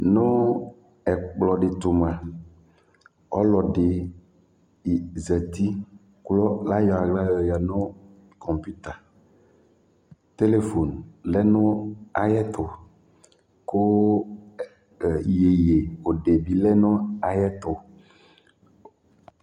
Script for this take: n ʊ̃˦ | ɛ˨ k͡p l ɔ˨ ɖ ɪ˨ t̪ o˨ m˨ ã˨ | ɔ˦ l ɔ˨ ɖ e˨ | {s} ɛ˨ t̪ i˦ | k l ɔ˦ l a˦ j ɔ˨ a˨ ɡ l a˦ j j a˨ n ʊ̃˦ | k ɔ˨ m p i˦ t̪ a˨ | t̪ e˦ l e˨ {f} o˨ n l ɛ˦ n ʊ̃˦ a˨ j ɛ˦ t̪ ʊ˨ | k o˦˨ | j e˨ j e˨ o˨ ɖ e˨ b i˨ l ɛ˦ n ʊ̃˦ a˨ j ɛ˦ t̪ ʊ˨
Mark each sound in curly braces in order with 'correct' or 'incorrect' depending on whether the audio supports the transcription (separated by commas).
incorrect, correct